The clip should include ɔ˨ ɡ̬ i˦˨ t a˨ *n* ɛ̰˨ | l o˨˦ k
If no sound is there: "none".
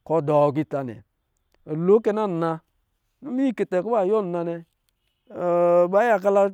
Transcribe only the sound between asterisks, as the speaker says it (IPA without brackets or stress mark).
n